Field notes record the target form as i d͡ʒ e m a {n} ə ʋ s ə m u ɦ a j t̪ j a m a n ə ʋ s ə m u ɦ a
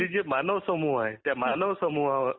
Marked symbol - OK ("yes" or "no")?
yes